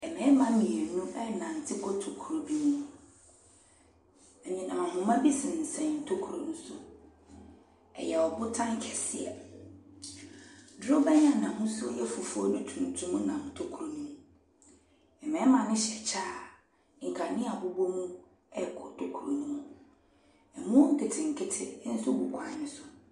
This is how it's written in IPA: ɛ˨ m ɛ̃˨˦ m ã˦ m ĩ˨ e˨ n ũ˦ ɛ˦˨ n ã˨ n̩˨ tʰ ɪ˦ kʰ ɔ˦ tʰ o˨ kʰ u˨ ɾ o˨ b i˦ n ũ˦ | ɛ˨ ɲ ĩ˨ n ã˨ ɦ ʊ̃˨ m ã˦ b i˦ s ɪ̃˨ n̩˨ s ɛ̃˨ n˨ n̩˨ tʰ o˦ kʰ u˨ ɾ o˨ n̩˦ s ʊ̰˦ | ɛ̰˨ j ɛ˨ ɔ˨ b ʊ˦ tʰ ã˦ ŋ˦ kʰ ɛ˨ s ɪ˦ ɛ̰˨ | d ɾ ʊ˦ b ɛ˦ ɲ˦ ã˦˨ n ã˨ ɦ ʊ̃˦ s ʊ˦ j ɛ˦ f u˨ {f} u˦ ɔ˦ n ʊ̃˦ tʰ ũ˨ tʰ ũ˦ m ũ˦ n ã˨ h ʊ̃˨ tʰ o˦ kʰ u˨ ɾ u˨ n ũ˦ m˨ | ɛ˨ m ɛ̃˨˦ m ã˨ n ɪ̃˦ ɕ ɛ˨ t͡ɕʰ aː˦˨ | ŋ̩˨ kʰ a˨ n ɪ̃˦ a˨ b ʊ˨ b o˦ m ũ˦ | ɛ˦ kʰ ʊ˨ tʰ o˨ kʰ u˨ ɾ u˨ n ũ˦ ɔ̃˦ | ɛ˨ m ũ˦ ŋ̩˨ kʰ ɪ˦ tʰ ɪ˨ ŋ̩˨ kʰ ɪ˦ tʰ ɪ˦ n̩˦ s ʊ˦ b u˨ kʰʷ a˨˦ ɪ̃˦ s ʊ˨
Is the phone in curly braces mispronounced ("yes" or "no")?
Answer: no